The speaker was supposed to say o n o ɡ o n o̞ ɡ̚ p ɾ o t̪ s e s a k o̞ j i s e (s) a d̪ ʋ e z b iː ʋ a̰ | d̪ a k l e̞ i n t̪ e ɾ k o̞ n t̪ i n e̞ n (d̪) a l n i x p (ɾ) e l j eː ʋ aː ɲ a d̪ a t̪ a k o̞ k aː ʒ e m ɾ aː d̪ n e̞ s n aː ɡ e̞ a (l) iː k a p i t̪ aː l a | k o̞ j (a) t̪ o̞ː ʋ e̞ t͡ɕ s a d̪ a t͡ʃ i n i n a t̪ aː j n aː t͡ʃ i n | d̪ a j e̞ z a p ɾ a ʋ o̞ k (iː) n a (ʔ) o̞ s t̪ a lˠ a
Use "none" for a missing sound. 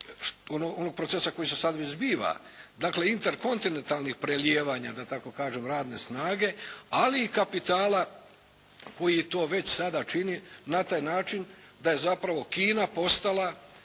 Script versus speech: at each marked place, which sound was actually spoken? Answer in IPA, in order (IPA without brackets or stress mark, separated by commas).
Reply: s, t̪, ɾ, l, i, iː, p